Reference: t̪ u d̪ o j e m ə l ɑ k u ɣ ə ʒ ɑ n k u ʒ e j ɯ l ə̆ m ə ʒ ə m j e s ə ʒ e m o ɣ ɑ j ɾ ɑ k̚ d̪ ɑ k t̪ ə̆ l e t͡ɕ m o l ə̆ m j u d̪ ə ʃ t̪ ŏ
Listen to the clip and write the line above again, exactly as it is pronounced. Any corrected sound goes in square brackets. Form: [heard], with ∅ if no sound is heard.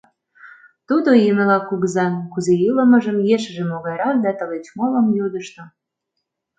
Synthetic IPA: t̪ u d̪ o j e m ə l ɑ k u ɣ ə [z] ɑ n k u [z] e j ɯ l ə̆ m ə ʒ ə m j e [ʃ] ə ʒ e m o ɣ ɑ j ɾ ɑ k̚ d̪ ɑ [∅] t̪ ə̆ l e t͡ɕ m o l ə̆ m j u d̪ ə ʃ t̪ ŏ